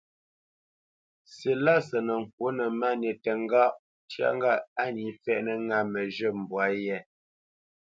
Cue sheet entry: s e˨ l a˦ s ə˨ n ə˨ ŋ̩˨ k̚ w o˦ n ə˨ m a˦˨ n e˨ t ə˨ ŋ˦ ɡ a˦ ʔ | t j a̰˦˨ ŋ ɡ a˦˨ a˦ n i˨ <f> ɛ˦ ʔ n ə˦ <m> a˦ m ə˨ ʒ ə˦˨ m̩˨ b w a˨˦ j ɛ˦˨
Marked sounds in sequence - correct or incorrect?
correct, incorrect

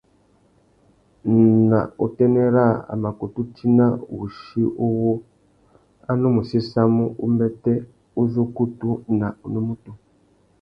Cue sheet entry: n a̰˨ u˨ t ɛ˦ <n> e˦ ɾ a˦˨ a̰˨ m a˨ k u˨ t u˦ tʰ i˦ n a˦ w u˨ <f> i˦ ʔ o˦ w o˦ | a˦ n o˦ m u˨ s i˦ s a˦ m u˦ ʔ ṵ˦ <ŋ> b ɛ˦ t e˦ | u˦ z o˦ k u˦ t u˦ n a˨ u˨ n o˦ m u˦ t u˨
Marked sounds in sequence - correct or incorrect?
correct, incorrect, incorrect

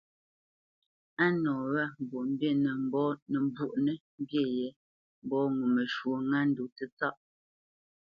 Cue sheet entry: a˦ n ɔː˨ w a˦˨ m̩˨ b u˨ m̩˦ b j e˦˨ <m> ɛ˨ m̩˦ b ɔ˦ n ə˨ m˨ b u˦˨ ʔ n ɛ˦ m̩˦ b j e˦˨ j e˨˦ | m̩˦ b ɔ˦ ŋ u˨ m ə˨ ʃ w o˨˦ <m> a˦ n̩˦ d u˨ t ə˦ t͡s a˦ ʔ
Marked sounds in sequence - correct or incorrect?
incorrect, incorrect

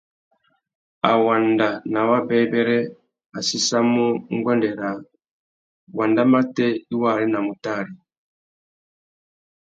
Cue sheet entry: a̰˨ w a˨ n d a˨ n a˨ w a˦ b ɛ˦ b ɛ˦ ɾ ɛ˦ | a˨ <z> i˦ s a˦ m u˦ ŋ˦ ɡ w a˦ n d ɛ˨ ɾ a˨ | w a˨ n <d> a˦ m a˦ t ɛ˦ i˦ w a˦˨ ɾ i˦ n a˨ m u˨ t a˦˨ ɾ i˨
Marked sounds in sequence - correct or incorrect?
incorrect, correct

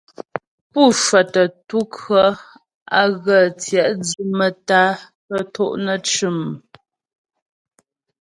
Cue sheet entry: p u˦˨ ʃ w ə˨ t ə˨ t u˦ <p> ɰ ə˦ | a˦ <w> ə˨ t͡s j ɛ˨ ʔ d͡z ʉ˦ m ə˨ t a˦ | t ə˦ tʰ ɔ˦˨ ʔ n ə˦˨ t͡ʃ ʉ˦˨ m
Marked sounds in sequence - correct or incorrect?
incorrect, incorrect

